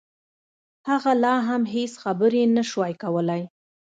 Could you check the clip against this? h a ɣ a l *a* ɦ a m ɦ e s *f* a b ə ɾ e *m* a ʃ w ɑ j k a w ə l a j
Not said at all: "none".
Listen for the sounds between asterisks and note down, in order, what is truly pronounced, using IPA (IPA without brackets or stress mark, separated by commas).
ɑ, x, n